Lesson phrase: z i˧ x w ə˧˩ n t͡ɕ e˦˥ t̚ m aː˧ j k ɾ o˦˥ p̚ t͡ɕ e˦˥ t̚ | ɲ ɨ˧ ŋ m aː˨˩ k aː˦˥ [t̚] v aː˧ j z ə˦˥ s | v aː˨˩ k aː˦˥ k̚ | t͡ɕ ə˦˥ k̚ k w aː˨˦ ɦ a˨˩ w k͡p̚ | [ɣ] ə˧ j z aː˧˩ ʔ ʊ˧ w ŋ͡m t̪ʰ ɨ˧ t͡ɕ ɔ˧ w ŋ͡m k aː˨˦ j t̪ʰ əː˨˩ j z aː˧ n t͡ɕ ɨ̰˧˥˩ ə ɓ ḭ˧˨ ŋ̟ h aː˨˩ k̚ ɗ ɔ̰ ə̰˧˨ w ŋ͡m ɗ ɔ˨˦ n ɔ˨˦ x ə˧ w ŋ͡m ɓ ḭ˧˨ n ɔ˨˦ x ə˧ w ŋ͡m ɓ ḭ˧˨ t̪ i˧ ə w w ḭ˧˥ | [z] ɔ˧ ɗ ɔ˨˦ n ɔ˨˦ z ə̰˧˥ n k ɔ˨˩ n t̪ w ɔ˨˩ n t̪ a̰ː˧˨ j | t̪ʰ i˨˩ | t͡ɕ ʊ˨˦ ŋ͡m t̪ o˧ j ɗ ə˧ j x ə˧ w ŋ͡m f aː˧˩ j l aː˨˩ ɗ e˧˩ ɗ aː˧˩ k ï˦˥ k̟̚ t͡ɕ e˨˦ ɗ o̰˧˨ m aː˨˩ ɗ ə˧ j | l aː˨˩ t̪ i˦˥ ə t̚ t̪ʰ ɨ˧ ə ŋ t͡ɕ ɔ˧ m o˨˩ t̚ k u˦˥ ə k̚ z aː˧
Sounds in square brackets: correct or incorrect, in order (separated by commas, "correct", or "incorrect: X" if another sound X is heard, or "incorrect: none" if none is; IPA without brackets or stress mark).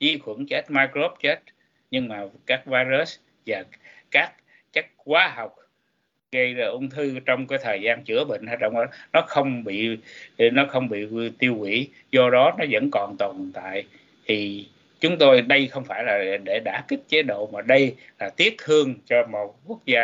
incorrect: k̚, correct, correct